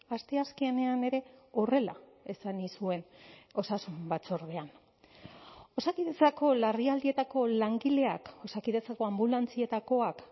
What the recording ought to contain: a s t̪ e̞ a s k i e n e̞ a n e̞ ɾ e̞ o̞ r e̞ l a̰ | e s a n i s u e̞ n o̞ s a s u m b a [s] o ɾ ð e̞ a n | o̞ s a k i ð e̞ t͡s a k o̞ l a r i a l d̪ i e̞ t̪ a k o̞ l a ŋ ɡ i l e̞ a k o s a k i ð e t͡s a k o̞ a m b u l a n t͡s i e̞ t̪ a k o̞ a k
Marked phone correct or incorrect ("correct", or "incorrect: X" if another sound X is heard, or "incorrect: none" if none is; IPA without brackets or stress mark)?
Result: incorrect: t͡s